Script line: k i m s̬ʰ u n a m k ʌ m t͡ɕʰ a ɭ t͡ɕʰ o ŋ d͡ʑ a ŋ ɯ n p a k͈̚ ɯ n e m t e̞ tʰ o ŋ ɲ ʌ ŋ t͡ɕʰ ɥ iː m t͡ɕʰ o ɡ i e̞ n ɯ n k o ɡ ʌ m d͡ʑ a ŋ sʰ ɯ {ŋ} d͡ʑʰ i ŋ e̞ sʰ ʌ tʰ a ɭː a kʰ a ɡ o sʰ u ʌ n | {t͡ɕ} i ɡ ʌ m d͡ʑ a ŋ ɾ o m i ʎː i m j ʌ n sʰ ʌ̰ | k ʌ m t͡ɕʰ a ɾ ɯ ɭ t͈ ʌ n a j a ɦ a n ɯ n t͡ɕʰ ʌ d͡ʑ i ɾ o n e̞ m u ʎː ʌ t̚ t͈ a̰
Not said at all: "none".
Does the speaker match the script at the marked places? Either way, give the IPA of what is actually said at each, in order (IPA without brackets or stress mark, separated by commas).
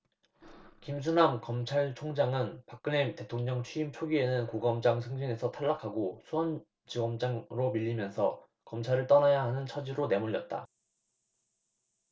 ŋ, t͡ɕ